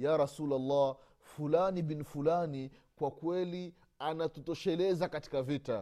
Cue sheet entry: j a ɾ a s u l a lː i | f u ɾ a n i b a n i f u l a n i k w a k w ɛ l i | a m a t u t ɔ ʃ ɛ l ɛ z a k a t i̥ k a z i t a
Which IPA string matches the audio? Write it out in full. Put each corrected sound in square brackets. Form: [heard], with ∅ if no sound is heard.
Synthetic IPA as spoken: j a ɾ a s u l a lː [a] | f u [l] a n i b [i] n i f u l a n i k w a k w ɛ l i | a [n] a t u t ɔ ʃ ɛ l ɛ z a k a t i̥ k a [v] i t a